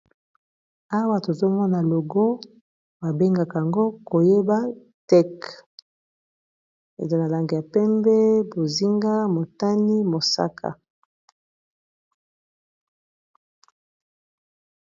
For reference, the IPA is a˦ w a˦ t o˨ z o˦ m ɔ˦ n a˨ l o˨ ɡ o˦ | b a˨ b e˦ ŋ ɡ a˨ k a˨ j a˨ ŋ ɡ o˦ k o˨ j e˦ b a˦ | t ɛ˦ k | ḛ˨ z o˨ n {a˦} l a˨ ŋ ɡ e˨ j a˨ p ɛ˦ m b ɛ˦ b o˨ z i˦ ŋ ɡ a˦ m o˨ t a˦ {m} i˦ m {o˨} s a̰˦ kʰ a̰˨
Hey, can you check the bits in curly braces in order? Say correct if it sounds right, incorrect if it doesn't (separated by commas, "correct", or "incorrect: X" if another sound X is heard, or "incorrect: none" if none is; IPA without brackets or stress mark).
incorrect: a˨, incorrect: n, correct